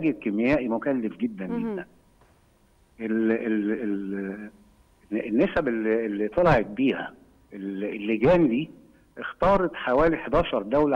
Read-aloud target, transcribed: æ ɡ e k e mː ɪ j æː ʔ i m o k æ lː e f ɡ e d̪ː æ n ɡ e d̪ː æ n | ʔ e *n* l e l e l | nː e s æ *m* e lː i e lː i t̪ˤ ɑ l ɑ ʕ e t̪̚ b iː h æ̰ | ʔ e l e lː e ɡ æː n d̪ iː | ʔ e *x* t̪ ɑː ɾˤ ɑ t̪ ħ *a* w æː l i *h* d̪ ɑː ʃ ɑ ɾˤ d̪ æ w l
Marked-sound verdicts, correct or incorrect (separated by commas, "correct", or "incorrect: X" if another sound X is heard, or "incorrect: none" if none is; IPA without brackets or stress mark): incorrect: none, incorrect: b, correct, correct, incorrect: ħ